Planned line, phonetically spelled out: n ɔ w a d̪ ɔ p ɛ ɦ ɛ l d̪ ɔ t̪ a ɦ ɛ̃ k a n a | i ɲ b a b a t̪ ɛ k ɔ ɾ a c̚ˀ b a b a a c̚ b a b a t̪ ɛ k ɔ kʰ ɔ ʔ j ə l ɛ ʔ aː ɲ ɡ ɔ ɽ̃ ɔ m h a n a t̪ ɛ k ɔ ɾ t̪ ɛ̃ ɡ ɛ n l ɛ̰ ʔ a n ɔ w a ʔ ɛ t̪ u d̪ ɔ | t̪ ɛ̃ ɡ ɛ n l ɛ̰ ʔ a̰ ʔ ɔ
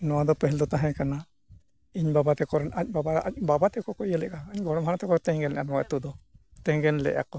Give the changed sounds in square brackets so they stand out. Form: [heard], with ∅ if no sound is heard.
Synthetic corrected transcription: n ɔ w a d̪ ɔ p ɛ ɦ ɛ l d̪ ɔ t̪ a ɦ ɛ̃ k a n a | i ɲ b a b a t̪ ɛ k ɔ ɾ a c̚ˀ b a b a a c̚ b a b a t̪ ɛ k ɔ [k] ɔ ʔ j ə l ɛ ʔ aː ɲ ɡ ɔ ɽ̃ ɔ m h a n a t̪ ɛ k ɔ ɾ t̪ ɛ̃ ɡ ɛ n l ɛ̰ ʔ a n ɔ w a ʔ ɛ t̪ u d̪ ɔ | t̪ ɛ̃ ɡ ɛ n l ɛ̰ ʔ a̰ [k] ɔ